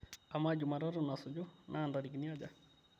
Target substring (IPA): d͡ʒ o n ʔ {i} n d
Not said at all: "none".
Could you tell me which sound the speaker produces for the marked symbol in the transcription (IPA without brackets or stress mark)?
a